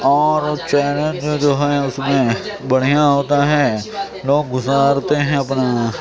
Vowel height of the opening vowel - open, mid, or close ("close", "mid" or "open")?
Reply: mid